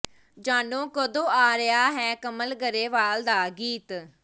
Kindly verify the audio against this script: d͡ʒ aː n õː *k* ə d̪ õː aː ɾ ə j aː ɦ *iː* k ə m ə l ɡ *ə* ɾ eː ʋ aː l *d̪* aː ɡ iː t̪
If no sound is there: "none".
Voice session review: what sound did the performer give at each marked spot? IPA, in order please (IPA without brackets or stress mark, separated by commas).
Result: k, ɛː, ə, d̪